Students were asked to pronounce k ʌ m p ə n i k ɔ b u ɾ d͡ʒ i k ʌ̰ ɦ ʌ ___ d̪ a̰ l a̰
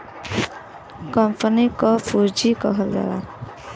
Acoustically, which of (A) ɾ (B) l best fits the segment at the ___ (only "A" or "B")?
B